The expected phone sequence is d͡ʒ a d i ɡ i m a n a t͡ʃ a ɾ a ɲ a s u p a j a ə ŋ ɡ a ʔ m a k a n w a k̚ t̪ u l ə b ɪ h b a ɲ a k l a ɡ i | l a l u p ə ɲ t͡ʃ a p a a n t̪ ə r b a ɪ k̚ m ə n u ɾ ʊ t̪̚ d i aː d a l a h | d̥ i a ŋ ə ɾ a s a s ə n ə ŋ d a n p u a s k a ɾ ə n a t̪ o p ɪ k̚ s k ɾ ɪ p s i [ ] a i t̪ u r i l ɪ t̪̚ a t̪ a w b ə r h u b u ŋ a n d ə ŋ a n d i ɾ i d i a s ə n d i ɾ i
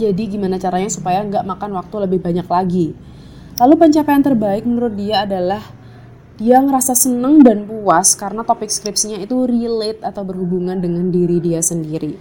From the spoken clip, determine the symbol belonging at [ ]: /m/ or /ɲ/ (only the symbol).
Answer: ɲ